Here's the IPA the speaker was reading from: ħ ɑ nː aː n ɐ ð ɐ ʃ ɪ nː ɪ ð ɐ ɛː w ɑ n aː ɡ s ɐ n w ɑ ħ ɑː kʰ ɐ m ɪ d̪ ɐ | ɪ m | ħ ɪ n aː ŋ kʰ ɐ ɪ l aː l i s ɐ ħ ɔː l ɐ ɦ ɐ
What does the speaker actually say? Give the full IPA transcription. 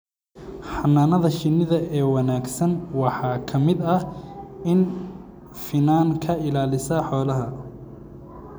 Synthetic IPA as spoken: ħ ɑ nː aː n ɐ ð ɐ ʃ ɪ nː ɪ ð ɐ ɛː w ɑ n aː ɡ s ɐ n w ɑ ħ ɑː kʰ ɐ m ɪ d̪ ɐ | ɪ n | f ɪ n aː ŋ kʰ ɐ ɪ l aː l ɪ s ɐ ħ ɔː l ɐ ɦ ɐ